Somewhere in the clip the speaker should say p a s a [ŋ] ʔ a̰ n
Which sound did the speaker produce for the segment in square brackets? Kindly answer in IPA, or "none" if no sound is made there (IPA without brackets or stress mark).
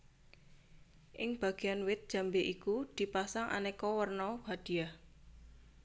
ŋ